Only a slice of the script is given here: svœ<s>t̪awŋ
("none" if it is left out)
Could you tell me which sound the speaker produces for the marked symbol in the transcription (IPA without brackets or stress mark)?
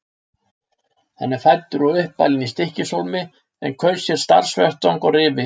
h